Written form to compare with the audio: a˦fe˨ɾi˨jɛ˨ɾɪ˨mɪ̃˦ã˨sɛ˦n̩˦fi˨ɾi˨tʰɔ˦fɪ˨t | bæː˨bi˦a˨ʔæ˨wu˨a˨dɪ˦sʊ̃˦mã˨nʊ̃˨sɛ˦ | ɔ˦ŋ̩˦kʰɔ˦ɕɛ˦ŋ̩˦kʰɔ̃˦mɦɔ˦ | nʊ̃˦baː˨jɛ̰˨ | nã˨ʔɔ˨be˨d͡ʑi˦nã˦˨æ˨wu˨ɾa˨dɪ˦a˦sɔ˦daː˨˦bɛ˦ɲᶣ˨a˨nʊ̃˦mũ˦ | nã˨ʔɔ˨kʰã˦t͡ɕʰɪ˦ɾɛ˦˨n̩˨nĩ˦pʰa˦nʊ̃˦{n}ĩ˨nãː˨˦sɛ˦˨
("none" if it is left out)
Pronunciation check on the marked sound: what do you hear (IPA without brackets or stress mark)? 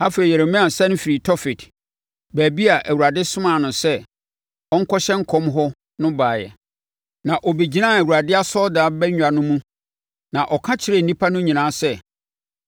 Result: ɲ